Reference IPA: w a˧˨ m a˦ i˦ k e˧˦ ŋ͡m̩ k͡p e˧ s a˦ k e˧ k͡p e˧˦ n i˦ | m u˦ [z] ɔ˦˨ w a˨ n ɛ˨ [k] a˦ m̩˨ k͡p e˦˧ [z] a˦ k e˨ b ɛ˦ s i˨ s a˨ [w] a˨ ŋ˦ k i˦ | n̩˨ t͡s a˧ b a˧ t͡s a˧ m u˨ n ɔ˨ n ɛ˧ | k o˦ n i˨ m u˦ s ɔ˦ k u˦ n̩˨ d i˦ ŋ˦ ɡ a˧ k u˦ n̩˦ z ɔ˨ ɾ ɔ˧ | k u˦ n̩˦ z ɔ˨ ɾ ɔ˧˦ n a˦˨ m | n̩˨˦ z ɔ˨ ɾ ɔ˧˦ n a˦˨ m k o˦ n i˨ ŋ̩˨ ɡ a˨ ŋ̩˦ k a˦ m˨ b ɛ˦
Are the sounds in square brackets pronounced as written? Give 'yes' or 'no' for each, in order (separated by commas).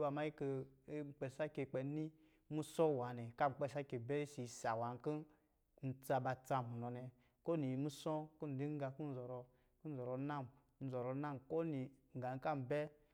no, yes, no, yes